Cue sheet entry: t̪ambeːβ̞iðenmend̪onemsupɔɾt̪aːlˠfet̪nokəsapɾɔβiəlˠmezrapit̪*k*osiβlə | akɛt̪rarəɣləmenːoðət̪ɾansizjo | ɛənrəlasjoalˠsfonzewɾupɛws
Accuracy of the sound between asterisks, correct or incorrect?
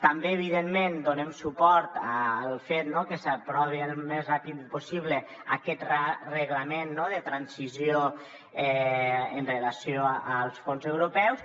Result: incorrect: p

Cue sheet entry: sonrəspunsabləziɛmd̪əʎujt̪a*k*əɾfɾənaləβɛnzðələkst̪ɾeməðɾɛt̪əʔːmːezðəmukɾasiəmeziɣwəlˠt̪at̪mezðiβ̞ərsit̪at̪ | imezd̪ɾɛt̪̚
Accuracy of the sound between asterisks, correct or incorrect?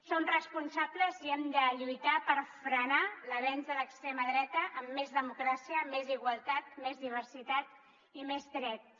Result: incorrect: p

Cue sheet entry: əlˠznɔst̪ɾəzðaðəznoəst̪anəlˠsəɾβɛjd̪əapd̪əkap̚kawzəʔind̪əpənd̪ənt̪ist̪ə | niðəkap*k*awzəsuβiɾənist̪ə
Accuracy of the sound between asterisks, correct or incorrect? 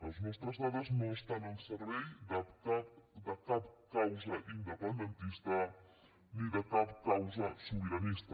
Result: correct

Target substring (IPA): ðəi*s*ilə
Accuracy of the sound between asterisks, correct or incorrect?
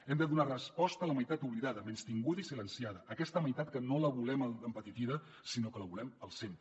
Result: correct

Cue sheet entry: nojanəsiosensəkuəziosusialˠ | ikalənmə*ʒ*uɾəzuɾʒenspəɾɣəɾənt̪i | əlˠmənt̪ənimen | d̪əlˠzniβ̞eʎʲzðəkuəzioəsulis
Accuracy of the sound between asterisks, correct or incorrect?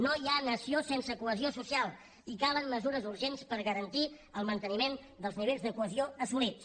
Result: incorrect: z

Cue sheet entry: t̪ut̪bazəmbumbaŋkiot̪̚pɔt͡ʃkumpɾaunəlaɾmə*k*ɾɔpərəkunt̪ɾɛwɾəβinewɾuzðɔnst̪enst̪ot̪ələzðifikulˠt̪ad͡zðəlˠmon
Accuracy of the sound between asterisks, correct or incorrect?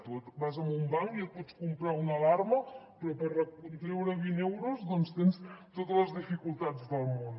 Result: incorrect: p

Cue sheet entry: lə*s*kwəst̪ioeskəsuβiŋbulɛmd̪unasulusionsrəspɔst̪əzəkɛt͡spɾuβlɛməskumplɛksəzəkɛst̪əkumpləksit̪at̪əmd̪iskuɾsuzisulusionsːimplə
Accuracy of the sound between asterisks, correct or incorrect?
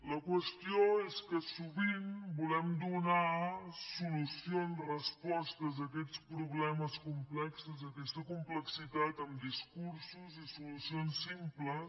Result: incorrect: none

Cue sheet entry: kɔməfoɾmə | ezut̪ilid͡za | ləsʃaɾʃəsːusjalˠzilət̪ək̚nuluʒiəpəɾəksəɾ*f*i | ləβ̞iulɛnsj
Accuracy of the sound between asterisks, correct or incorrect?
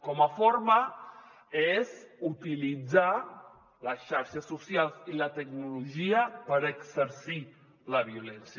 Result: incorrect: s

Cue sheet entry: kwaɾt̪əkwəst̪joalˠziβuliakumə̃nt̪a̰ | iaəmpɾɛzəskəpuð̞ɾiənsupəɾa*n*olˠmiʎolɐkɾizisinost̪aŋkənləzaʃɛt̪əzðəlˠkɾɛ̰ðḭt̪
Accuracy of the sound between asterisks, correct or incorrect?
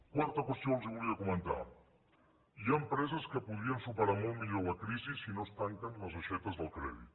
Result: incorrect: m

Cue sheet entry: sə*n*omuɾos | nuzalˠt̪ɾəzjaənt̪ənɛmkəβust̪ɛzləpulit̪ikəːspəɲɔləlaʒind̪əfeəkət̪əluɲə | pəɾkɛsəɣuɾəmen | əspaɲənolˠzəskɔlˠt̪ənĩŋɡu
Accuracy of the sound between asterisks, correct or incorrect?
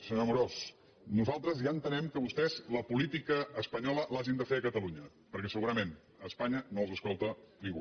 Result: incorrect: ɲ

